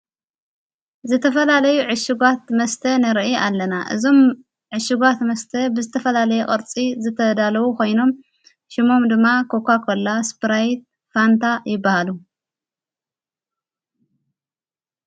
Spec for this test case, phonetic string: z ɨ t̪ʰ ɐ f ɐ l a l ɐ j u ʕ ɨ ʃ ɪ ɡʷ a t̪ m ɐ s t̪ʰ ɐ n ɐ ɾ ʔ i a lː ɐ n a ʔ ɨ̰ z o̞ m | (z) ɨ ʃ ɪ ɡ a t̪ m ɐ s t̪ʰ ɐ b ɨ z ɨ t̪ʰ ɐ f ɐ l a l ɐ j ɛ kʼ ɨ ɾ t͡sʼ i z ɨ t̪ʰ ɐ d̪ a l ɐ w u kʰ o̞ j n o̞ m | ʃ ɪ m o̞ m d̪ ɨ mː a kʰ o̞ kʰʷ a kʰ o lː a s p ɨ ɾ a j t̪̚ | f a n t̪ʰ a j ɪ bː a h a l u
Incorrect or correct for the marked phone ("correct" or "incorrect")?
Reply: incorrect